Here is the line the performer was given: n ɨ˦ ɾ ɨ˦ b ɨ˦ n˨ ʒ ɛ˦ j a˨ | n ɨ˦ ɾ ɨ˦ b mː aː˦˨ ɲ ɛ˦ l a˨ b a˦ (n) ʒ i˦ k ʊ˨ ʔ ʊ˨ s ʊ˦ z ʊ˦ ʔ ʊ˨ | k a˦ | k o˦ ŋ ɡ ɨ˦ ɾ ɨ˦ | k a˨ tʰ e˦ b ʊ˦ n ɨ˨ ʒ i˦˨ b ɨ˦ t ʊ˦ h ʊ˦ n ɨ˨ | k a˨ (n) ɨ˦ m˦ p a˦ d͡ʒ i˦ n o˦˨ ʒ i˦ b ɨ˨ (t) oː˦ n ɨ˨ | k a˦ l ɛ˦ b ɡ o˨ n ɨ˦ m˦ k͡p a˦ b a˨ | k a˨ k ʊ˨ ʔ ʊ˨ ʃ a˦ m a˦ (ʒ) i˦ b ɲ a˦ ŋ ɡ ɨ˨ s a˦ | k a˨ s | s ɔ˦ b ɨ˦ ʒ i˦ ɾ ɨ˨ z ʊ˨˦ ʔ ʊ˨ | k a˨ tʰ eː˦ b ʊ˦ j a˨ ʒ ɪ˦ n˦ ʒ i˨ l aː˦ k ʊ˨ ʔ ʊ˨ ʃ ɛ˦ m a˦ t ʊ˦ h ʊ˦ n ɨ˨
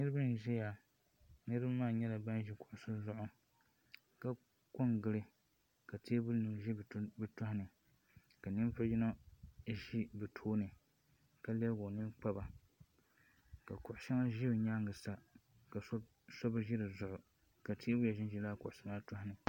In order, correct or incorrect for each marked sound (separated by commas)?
correct, correct, incorrect, correct